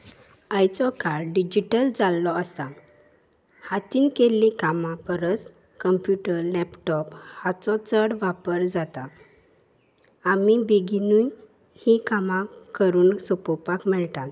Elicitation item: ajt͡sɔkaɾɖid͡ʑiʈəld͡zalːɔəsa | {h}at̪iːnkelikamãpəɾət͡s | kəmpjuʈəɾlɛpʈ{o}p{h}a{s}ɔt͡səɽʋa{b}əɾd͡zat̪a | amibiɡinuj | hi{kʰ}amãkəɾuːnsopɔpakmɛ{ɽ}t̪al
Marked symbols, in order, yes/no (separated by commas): yes, no, yes, no, no, no, no